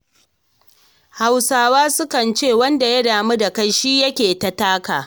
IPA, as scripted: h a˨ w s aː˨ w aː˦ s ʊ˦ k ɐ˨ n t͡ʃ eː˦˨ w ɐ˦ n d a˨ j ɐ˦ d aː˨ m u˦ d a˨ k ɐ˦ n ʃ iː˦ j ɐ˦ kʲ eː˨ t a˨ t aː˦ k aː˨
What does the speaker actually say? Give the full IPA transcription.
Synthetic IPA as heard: h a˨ w s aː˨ w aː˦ s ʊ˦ k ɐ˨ n t͡ʃ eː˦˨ w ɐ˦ n d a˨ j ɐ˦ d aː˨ m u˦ d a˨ k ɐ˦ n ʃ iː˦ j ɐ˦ kʲ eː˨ t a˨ t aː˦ k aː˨